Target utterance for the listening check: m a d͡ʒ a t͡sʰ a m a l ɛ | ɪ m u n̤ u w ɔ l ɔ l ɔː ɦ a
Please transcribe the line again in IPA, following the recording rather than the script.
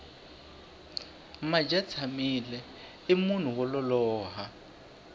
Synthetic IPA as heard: m a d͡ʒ a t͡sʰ a m i l ɛ | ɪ m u n̤ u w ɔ l ɔ l ɔː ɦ a